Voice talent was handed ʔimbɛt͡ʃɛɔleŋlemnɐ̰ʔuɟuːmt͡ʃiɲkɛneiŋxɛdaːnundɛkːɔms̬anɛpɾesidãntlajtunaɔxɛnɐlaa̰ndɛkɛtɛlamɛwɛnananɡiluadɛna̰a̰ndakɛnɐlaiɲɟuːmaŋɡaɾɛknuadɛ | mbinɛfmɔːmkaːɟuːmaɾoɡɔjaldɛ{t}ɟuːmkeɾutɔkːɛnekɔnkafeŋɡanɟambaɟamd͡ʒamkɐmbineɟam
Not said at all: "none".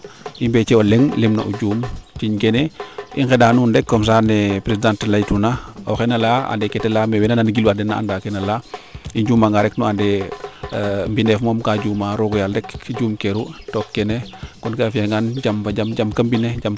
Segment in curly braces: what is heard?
k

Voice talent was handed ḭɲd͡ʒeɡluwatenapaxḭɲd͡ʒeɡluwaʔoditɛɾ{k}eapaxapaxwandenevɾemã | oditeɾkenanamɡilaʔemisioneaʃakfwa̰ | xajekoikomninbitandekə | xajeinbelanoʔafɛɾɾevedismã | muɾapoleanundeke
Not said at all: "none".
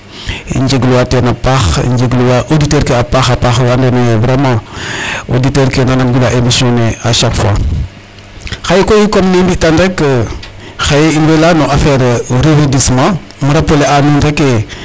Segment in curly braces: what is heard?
k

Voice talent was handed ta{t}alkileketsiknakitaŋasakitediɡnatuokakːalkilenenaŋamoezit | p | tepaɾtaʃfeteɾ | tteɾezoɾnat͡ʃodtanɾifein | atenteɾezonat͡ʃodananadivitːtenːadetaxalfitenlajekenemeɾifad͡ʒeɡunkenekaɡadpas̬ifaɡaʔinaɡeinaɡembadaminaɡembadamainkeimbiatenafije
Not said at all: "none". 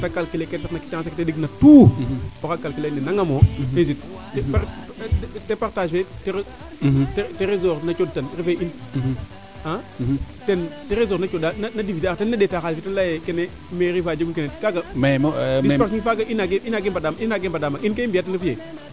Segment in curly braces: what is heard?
k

